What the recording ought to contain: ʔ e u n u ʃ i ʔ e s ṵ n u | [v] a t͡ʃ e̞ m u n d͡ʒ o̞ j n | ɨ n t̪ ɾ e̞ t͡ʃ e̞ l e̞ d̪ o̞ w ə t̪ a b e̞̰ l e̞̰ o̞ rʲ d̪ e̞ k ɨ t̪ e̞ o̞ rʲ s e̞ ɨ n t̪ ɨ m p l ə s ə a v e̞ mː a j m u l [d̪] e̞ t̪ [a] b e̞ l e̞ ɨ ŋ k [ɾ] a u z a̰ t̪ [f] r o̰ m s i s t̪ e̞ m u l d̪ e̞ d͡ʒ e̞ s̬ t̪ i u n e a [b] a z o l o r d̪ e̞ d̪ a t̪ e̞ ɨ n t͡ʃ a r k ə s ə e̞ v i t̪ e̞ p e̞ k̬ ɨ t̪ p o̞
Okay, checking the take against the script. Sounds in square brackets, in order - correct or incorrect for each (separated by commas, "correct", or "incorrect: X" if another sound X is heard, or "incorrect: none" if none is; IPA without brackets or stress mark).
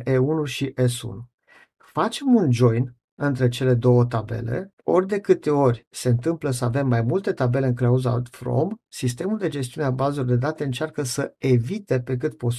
incorrect: f, incorrect: t̪, correct, incorrect: l, correct, correct